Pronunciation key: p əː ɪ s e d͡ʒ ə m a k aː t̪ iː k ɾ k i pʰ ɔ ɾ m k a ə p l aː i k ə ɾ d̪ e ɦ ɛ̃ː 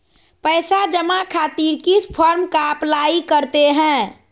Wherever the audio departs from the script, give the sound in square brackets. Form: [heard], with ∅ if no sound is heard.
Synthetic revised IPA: p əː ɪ s [a] d͡ʒ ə m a [kʰ] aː t̪ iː [∅] ɾ k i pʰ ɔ ɾ m k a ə p l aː i k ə ɾ [t̪] e ɦ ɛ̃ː

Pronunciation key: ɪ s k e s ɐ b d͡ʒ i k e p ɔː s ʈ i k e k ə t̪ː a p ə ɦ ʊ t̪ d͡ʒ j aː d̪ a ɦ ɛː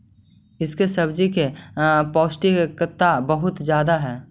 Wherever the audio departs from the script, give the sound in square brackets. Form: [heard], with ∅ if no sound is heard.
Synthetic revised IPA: ɪ s k e s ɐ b d͡ʒ i k e p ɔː s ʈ i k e k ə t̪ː a [b] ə ɦ ʊ t̪ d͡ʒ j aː d̪ a ɦ ɛː

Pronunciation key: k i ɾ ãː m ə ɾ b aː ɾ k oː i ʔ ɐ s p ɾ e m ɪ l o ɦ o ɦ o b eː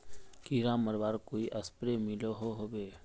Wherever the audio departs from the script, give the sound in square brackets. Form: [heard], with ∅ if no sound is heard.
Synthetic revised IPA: k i ɾ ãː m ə ɾ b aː ɾ k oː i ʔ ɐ s p ɾ e m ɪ l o ɦ o ɦ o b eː

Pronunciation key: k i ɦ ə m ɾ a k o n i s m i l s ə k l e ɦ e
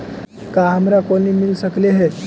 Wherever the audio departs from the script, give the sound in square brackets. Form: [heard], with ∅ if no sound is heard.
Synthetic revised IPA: k [a] ɦ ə m ɾ a k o n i [∅] m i l s ə k l e ɦ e

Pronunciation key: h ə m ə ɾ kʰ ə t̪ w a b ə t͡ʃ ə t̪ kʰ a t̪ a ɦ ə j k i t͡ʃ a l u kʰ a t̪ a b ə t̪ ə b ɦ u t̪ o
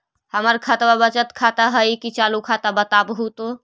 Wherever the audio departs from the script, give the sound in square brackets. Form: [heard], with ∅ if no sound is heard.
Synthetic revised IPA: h ə m ə ɾ kʰ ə t̪ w a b ə t͡ʃ ə t̪ kʰ a t̪ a ɦ ə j k i t͡ʃ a l u kʰ a t̪ a b ə t̪ [a] b ɦ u t̪ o

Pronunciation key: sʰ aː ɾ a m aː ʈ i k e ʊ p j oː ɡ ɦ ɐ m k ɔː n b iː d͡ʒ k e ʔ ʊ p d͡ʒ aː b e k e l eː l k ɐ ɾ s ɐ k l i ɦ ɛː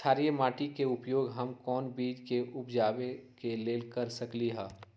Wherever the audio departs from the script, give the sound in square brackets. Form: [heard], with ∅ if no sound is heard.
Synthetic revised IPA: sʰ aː ɾ [i] m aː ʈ i k e ʊ p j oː ɡ ɦ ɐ m k ɔː n b iː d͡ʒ k e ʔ ʊ p d͡ʒ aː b e k e l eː l k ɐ ɾ s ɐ k l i ɦ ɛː

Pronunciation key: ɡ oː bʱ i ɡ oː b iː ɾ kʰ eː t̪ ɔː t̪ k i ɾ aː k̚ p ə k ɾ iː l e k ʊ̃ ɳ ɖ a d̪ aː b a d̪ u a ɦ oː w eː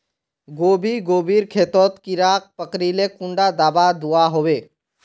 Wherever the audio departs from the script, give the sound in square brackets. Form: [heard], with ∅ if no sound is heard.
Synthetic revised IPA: ɡ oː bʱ i ɡ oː b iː ɾ kʰ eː t̪ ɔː t̪ k i ɾ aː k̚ p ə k ɾ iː l e k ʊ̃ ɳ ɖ a d̪ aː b a d̪ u a ɦ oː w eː

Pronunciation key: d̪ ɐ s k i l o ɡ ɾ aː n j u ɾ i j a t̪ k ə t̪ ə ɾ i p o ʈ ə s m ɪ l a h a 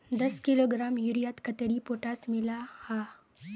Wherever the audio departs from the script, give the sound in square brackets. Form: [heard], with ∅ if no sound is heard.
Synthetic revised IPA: d̪ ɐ s k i l o ɡ ɾ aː [m] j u ɾ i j a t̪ k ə t̪ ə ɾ i p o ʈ [a] s m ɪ l a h a

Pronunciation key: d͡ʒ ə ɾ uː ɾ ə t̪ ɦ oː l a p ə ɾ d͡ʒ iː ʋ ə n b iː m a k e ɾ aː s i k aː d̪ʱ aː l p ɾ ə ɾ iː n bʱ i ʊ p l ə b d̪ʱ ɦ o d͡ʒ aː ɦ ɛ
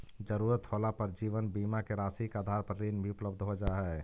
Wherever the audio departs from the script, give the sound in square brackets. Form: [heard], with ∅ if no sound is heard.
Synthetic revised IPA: d͡ʒ ə ɾ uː ɾ ə t̪ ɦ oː l a p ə ɾ d͡ʒ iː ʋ ə n b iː m a k e ɾ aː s i k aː d̪ʱ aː [ɾ] p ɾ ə ɾ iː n bʱ i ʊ p l ə b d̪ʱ ɦ o d͡ʒ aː ɦ ɛ

